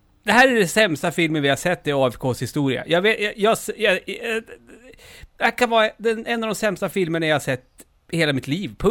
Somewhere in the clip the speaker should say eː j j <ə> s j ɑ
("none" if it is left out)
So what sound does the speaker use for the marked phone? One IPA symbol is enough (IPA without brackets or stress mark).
ɑ